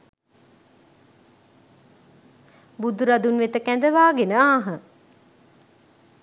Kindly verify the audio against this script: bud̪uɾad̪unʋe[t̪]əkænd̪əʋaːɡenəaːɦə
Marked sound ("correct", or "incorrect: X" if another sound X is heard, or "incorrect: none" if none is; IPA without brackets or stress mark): correct